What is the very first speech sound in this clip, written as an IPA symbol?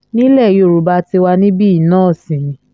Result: n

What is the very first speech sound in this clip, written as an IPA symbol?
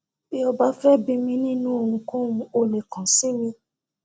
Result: b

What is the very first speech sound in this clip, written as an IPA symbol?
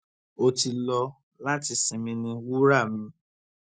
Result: o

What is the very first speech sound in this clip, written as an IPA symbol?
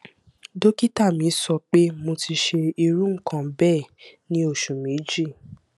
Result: d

